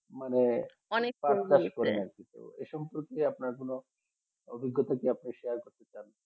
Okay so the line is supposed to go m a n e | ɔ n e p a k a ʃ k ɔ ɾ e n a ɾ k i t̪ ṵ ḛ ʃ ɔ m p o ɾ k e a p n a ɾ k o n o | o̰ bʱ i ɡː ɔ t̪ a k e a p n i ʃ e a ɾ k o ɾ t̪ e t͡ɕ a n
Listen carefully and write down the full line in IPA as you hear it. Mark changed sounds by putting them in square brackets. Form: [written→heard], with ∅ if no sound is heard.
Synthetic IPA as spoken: m a n e | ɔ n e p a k a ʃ k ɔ ɾ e n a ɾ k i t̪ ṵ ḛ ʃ ɔ m p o ɾ k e a p n a ɾ k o n o | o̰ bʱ i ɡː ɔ t̪ a k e a p n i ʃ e a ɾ k o ɾ t̪ e t͡ɕ a n